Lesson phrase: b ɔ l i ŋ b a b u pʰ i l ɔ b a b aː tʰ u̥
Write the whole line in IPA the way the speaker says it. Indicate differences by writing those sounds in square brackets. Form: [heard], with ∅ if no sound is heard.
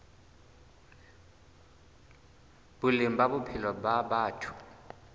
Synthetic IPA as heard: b [u] l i [m] b a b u pʰ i l ɔ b a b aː tʰ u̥

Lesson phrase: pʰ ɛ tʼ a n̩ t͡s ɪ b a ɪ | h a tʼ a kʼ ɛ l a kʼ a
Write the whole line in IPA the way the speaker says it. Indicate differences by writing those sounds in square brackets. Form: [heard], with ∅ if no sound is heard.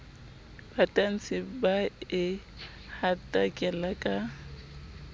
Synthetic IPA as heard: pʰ [a] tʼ a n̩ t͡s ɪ b a ɪ | h a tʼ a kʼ ɛ l a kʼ a

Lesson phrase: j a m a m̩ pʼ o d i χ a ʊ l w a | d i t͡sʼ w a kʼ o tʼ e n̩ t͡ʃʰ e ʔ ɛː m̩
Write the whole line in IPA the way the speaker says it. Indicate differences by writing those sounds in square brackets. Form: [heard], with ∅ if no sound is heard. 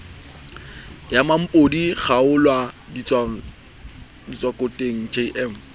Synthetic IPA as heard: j a m a m̩ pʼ o d i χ a ʊ l w a | d i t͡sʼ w a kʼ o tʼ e [ŋ̩] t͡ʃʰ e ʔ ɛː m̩

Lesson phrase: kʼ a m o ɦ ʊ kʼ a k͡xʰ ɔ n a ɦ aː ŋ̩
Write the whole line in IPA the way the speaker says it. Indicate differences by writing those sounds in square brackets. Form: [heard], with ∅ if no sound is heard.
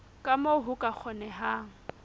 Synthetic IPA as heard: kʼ a m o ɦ ʊ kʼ a k͡xʰ ɔ n [ɛ] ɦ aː ŋ̩

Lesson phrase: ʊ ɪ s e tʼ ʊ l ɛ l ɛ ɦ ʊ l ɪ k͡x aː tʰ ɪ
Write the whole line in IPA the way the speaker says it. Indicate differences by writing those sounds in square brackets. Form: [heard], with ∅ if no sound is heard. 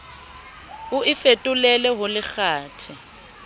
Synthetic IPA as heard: ʊ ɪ [f] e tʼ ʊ l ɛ l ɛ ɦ ʊ l ɪ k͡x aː tʰ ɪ

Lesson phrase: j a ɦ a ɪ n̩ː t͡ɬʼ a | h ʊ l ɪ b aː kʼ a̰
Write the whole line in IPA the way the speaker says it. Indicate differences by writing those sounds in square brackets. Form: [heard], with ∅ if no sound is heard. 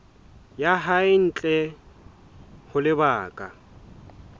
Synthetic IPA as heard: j a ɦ a ɪ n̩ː t͡ɬʼ [ɛ] | h ʊ l ɪ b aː kʼ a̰

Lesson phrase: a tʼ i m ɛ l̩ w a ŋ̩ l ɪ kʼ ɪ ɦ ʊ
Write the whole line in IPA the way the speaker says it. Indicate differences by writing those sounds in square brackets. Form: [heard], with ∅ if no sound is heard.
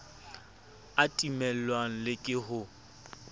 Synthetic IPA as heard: a tʼ i m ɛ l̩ w a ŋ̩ l ɪ kʼ ɪ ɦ ʊ

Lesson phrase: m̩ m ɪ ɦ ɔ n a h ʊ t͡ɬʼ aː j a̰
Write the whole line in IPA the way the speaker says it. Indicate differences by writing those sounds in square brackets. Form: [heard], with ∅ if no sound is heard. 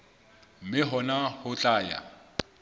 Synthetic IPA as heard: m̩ m ɪ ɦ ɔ n a h ʊ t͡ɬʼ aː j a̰

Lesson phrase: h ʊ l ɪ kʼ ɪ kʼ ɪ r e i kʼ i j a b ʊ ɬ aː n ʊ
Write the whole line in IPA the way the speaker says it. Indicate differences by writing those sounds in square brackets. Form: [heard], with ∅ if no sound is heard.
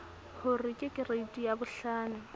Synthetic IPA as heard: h ʊ [r] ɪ kʼ ɪ kʼ ɪ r e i [tʼ] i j a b ʊ ɬ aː n ʊ

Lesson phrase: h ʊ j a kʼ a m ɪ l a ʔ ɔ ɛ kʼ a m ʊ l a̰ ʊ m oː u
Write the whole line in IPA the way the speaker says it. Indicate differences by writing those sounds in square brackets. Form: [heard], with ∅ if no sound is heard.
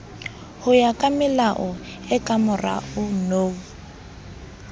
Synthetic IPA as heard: h ʊ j a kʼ a m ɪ l a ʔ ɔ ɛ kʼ a m ʊ [r] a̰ ʊ [n] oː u

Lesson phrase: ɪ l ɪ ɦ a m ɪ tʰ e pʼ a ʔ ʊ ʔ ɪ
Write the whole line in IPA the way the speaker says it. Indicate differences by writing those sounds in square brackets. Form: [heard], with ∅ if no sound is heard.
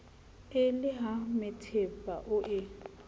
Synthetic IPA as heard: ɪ l ɪ ɦ a m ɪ tʰ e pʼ a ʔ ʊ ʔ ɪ

